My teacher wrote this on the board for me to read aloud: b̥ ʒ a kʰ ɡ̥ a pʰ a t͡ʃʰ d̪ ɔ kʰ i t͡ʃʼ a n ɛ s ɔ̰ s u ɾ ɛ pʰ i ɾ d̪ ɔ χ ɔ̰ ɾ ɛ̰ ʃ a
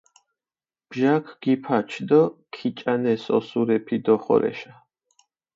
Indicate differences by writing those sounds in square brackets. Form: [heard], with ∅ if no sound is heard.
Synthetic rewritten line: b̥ ʒ a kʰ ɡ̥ [i] pʰ a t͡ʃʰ d̪ ɔ kʰ i t͡ʃʼ a n ɛ s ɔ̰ s u ɾ ɛ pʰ i [∅] d̪ ɔ χ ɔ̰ ɾ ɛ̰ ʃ a